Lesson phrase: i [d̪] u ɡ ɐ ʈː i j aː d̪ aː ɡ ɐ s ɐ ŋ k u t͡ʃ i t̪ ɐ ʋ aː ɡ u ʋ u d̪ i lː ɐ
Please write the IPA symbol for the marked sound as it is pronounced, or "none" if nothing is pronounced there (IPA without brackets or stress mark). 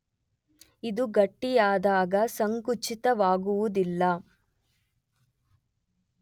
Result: d̪